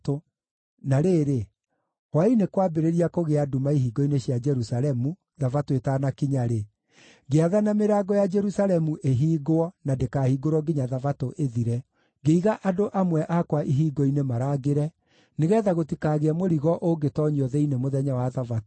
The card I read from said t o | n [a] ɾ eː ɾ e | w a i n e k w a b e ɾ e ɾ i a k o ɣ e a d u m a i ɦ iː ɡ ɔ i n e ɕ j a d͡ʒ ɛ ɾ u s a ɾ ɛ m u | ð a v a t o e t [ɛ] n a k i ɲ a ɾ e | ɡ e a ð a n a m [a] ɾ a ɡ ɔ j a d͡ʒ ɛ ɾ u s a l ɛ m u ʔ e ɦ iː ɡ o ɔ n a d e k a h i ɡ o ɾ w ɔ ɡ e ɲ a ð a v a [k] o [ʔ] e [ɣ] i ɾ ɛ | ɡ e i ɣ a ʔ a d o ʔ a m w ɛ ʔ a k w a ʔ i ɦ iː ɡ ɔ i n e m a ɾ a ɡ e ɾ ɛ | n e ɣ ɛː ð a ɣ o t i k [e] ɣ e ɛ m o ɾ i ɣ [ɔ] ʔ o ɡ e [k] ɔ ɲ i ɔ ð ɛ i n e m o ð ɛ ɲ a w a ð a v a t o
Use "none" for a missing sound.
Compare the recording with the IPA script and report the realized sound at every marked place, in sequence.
a, a, e, t, ʔ, ð, a, ɔ, t

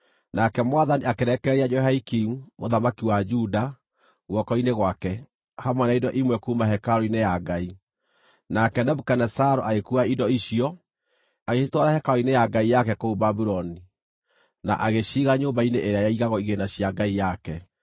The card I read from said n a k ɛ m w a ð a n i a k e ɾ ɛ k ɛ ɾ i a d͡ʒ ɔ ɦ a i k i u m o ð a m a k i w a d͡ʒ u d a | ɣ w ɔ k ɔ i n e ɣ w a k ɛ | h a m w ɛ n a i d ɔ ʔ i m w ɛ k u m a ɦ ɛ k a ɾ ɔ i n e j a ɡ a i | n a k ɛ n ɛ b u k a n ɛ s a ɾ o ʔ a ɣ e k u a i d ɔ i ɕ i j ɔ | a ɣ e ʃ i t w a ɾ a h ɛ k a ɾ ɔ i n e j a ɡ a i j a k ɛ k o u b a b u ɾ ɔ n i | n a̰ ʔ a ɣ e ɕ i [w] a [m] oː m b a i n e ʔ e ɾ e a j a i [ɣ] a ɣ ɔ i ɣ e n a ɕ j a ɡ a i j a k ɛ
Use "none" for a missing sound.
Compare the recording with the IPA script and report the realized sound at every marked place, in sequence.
ɣ, ɲ, ɣ

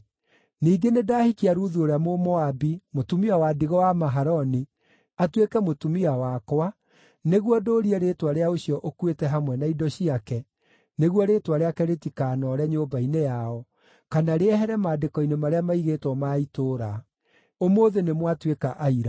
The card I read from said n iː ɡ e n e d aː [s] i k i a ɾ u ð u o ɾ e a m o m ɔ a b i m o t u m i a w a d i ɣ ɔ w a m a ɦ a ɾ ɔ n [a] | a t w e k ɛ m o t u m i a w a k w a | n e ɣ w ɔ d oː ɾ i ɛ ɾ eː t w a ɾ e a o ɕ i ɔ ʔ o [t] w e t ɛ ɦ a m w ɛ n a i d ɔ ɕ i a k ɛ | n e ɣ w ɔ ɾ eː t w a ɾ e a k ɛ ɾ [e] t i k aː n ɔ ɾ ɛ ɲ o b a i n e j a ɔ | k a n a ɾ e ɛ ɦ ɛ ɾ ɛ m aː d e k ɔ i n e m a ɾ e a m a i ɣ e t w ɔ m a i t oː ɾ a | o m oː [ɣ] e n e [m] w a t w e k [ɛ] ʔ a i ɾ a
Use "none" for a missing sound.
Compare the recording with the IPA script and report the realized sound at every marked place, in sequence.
h, i, k, e, ð, m, a

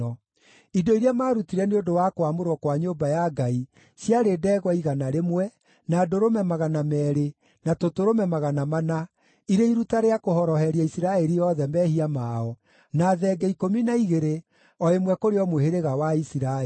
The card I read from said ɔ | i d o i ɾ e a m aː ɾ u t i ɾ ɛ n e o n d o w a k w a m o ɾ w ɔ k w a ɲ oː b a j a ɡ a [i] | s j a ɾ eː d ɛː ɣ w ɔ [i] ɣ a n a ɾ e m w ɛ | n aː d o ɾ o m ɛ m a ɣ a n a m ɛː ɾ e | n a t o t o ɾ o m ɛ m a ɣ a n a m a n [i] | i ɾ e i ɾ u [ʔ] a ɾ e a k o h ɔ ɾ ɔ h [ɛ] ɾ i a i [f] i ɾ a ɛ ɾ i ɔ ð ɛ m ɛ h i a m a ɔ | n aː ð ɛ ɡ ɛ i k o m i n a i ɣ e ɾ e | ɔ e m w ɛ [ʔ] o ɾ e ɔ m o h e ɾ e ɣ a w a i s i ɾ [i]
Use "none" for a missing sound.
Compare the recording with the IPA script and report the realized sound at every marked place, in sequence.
i, i, a, t, ɛ, s, k, a

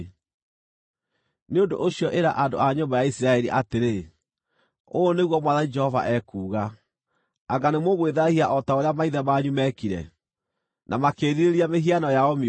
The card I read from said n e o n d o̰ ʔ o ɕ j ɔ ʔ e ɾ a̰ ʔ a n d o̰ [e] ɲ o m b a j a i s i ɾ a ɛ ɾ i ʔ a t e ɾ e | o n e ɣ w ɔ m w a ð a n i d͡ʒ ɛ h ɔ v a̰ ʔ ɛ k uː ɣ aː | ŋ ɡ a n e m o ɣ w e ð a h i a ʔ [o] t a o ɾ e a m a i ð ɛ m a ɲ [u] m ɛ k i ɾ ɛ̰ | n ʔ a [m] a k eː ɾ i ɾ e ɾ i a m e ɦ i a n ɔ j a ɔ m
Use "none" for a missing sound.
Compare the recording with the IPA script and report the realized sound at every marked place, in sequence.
a, ɔ, u, m

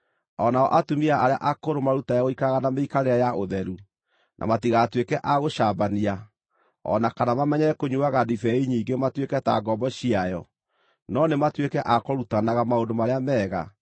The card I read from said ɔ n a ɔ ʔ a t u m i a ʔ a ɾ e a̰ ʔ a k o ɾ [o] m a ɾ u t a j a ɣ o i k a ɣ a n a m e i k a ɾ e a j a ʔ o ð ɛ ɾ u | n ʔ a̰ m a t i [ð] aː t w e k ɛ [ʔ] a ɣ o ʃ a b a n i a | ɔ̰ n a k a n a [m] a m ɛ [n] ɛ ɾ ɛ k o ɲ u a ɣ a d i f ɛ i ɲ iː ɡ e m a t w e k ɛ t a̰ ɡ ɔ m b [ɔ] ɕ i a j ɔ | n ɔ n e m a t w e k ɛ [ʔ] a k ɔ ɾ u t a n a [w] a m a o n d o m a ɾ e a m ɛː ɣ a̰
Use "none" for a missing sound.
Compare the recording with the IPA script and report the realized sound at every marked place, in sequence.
o, ɣ, ʔ, m, ɲ, ɔ, ʔ, ɣ

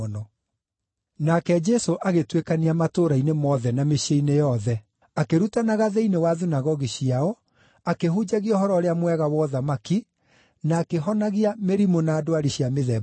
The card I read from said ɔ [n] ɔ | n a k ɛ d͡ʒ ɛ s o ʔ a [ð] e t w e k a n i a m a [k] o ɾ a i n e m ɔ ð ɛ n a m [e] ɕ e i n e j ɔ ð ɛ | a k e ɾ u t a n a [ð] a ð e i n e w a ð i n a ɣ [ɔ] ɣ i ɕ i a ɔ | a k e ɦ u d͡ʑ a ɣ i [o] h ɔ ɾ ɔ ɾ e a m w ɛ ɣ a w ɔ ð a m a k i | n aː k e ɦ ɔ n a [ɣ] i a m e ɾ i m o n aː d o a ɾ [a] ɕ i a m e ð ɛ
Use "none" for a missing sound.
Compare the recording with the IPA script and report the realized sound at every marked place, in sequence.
n, ɣ, t, e, ɣ, ɔ, ɔ, ɣ, i

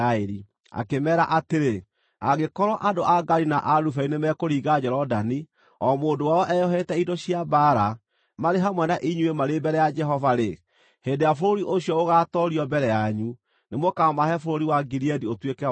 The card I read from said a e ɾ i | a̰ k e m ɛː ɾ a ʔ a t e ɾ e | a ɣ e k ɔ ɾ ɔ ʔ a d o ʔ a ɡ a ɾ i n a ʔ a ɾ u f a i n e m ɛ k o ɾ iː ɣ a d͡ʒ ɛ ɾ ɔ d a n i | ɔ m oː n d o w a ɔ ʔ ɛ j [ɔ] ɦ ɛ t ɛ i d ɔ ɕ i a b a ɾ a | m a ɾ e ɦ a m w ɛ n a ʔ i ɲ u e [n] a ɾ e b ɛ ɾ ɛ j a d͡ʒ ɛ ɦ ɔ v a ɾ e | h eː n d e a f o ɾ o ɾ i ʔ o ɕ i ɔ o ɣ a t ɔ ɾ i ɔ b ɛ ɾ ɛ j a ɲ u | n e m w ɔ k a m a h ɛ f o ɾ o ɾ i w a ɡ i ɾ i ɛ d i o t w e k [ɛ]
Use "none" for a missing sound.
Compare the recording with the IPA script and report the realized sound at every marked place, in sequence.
ɔ, m, ɛ

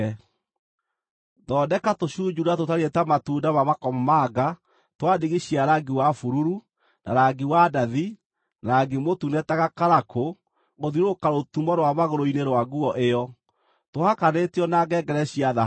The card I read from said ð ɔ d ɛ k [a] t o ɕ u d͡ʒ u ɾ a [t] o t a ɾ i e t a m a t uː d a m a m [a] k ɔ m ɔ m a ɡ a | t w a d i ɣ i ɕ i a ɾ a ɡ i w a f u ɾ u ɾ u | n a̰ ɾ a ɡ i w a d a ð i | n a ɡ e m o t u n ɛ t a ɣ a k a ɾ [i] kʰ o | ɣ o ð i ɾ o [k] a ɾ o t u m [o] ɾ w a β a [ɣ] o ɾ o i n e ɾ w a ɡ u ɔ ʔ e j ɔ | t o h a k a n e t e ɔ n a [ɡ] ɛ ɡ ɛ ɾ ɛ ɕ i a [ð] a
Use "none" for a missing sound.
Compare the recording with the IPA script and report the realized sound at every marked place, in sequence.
a, t, a, a, k, ɔ, ɣ, ɡ, ð

